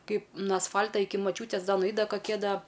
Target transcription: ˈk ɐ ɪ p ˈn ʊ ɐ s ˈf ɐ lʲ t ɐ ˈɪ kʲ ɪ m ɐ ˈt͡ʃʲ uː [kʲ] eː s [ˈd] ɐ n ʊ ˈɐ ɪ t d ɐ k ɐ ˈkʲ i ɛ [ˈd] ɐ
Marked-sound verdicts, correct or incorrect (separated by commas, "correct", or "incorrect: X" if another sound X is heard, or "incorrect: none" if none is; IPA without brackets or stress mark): incorrect: tʲ, correct, correct